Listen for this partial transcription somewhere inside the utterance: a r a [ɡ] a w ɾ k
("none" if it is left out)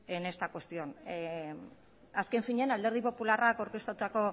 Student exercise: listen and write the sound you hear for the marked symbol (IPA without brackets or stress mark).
k